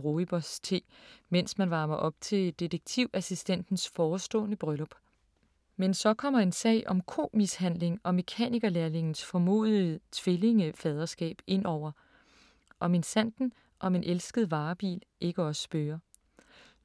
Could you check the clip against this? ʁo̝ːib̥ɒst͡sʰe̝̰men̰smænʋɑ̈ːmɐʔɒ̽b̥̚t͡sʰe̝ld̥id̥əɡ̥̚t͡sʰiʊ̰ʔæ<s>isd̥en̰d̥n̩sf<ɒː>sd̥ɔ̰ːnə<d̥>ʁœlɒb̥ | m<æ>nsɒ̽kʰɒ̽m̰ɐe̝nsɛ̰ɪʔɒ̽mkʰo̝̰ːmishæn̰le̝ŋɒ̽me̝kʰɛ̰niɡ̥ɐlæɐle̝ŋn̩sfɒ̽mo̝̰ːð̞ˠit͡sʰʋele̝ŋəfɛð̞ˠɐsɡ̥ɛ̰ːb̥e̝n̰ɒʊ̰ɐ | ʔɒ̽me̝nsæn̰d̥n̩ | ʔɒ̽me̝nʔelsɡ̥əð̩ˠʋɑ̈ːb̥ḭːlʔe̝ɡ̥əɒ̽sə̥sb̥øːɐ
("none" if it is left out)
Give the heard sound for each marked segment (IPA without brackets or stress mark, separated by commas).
s, ɒː, b̥, e